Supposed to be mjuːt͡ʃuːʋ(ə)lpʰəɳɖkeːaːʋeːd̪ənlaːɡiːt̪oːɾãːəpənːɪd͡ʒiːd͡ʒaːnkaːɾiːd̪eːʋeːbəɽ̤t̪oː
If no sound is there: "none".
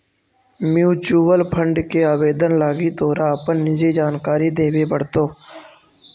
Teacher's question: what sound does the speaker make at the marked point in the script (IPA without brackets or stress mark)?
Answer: ə